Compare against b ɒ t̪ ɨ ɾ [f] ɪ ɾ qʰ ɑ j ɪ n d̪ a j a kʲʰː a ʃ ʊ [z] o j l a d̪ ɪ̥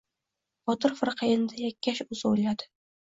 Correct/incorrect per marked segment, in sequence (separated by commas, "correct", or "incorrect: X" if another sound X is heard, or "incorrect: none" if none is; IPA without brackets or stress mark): correct, correct